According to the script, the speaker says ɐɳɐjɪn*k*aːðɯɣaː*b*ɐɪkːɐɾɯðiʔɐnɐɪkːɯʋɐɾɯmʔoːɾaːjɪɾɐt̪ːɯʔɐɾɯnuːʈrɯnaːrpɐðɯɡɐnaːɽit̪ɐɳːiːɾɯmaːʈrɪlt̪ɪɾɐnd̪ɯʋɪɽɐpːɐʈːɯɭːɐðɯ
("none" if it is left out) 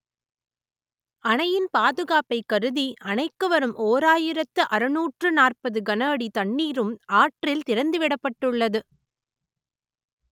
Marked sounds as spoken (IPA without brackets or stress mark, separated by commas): p, p